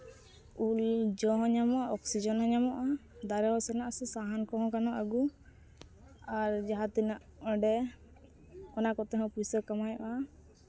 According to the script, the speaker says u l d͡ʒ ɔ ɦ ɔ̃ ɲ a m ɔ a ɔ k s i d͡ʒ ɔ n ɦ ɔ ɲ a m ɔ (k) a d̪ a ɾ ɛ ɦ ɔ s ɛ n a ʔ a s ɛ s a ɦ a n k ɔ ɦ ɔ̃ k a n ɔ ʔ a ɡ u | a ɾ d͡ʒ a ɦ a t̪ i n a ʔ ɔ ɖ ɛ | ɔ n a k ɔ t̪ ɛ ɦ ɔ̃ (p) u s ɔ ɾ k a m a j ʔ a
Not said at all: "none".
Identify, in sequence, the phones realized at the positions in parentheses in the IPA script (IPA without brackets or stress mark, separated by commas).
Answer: ʔ, p